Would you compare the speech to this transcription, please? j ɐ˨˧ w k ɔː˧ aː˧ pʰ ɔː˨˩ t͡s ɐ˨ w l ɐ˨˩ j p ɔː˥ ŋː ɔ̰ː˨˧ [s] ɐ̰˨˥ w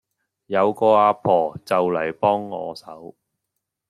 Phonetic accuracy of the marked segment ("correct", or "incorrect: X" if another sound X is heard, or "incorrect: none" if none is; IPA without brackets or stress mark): correct